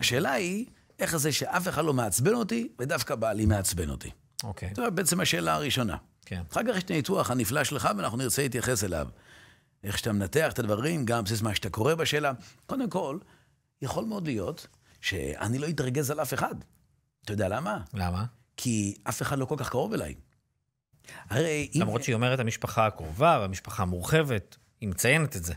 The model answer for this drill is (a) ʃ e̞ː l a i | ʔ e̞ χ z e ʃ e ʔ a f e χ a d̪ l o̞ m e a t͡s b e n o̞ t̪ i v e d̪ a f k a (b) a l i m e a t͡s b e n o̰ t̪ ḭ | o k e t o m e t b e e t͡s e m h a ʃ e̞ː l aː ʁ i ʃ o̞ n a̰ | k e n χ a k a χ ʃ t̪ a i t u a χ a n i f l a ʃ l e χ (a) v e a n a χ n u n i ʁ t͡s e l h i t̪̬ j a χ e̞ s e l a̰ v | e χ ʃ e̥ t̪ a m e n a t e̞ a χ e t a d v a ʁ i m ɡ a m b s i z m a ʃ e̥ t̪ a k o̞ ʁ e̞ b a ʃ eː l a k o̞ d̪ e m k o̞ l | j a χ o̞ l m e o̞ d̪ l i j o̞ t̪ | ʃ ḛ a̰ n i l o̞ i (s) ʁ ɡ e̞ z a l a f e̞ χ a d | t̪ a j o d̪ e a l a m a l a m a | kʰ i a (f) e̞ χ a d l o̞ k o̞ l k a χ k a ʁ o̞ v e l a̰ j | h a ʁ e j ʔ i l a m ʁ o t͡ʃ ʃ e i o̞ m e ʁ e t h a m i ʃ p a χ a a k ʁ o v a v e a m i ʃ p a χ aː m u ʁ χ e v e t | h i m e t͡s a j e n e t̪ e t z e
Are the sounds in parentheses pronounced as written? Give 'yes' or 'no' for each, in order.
yes, yes, yes, no, yes

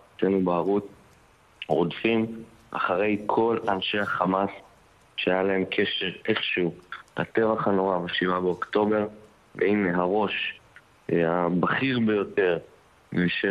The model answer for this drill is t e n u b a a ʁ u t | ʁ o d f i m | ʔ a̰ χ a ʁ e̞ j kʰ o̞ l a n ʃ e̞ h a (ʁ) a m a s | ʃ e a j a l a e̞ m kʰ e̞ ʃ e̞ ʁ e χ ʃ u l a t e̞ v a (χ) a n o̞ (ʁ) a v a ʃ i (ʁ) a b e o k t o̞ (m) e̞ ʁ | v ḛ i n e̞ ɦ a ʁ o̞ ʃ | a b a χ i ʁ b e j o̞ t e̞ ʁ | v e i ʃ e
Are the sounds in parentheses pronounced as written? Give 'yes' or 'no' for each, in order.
no, yes, yes, no, no

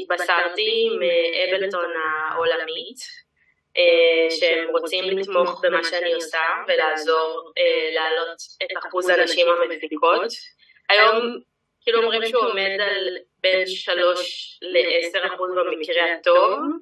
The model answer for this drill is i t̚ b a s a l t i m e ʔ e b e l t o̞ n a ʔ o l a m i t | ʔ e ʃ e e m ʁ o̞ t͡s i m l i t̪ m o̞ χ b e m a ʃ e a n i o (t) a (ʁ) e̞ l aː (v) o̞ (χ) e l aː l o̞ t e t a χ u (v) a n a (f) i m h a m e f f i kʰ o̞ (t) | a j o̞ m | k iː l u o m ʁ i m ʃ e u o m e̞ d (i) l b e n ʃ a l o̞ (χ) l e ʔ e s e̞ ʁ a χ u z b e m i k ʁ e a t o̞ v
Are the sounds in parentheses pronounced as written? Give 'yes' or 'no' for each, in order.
no, no, no, no, no, no, yes, no, no

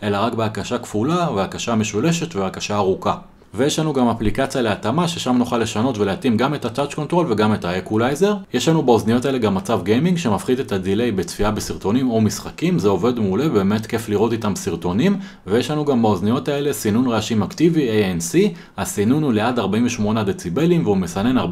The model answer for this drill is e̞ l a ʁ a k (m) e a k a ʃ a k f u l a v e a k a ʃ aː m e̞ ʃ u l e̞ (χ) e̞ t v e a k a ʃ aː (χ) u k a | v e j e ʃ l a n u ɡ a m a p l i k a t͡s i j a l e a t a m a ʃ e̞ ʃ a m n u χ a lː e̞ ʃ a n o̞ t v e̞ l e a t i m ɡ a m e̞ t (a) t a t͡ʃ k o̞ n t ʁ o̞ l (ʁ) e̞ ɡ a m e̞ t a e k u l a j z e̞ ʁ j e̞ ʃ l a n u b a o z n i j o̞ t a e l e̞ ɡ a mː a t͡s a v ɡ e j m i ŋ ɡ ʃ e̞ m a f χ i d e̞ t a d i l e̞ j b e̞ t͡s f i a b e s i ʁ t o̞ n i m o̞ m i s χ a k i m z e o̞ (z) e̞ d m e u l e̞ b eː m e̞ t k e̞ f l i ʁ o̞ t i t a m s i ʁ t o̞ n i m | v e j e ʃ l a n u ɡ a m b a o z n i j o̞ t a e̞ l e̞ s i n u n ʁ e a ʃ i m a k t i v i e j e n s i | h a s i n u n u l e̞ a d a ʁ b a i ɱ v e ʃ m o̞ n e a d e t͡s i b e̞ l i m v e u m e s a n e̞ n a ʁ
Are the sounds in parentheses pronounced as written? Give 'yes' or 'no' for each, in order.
no, no, no, yes, no, no

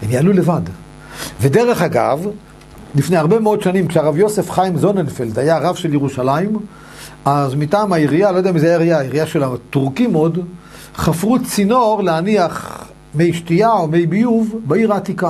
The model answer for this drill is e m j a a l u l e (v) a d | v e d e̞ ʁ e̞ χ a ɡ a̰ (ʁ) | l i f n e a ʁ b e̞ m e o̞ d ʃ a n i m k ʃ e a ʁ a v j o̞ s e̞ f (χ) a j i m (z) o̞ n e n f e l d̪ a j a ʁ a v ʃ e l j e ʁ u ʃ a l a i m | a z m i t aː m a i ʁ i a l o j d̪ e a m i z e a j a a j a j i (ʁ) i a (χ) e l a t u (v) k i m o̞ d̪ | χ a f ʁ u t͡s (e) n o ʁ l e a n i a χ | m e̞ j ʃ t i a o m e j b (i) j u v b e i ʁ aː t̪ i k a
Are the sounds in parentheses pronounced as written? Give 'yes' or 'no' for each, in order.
yes, no, yes, yes, yes, no, no, no, yes

